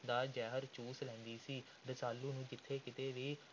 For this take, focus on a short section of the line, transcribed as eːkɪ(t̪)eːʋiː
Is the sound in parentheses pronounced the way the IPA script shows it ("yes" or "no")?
yes